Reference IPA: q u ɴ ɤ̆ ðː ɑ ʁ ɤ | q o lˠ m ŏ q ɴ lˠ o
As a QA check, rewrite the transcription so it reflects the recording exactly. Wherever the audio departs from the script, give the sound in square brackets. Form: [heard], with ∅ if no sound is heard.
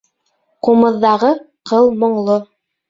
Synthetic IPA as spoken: q u [m] ɤ̆ ðː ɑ ʁ ɤ | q [ɤ] lˠ m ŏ [∅] ɴ lˠ o